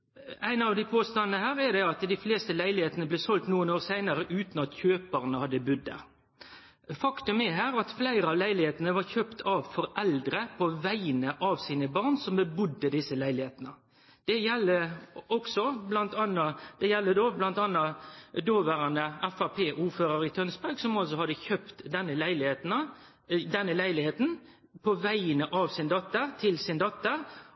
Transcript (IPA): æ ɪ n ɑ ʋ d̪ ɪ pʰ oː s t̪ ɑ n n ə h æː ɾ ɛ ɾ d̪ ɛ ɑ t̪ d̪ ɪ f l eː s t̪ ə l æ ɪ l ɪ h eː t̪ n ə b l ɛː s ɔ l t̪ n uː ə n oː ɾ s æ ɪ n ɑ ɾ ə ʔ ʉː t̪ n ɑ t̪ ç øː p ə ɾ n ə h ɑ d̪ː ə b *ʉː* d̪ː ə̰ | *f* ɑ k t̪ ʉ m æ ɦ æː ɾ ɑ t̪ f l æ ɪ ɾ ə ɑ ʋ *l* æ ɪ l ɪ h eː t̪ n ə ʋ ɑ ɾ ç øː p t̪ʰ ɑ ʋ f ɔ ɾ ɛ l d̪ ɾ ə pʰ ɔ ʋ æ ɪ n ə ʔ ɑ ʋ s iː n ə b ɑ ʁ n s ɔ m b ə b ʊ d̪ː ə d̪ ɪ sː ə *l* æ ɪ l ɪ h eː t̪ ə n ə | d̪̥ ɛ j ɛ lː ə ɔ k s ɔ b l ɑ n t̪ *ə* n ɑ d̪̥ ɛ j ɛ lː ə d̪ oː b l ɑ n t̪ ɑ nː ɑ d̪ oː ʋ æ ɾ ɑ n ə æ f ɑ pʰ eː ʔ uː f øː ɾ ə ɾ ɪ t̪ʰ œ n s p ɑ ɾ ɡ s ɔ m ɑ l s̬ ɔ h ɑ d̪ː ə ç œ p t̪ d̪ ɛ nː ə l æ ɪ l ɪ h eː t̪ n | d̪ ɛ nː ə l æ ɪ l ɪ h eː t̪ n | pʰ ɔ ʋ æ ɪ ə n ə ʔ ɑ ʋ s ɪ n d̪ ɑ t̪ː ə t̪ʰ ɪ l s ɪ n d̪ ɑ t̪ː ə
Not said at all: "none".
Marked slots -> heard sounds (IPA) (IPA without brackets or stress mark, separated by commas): ʉ, f, l, l, ɑ